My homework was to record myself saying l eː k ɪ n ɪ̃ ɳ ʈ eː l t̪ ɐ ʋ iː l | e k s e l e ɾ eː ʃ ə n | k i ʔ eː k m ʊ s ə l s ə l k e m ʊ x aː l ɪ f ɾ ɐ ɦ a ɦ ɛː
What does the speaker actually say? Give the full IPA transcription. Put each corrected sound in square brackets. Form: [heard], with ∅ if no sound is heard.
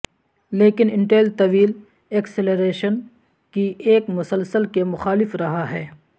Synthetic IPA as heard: l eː k ɪ n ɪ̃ ɳ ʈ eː l t̪ ɐ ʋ iː l | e k s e l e ɾ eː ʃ ə n | k i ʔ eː k m ʊ s ə l s ə l k e m ʊ x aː l ɪ f ɾ ɐ ɦ a ɦ ɛː